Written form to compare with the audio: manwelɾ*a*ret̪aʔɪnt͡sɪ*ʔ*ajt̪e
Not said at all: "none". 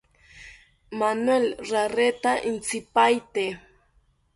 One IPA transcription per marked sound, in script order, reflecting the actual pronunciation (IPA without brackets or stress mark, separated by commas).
a, p